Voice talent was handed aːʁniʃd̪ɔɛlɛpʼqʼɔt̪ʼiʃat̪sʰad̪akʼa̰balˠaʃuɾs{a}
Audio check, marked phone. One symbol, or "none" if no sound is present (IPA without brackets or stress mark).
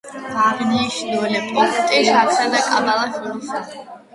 a